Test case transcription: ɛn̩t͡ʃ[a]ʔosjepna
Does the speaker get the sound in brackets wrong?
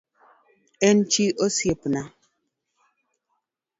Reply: yes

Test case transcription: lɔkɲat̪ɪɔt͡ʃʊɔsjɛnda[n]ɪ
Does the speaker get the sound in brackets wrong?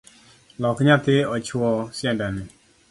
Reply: no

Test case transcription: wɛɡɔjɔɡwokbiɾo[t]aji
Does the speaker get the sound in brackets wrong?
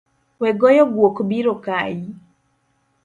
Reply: yes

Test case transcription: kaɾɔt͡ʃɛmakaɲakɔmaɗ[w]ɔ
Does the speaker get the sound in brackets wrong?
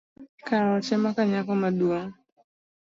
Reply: yes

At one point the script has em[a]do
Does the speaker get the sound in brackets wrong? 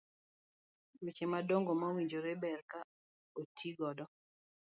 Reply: no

